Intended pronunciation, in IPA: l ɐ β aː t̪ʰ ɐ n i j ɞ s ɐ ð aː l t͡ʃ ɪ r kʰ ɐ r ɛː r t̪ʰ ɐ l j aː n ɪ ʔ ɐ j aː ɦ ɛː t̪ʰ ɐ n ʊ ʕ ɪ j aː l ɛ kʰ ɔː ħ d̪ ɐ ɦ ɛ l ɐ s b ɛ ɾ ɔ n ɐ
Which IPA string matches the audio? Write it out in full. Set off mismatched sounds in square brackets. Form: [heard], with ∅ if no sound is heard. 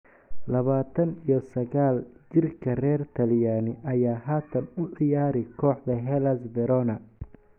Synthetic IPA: l ɐ β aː t̪ʰ ɐ n i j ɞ s ɐ [ɣ] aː l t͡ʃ ɪ r kʰ ɐ r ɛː r t̪ʰ ɐ l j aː n ɪ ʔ ɐ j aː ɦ [aː] t̪ʰ ɐ n ʊ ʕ ɪ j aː [ɾ] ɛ kʰ ɔː ħ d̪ ɐ ɦ ɛ l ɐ s b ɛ ɾ ɔ n ɐ